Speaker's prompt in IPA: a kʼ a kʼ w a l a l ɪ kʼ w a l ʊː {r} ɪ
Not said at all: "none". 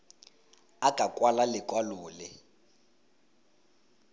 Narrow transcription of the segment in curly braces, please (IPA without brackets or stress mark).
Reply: l